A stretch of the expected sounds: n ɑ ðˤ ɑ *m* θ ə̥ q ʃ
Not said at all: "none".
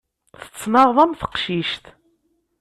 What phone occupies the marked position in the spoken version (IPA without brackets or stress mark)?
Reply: m